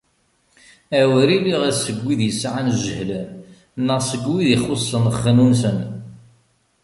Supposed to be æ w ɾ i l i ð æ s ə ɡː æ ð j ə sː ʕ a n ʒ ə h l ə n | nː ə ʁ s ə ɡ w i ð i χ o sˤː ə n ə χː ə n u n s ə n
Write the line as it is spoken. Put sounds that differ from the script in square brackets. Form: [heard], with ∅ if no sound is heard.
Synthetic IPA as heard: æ w ɾ i l i [ʁ] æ s ə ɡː [i] ð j ə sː ʕ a n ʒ ə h l ə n | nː ə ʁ s ə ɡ w i ð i χ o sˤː ə n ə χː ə n u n s ə n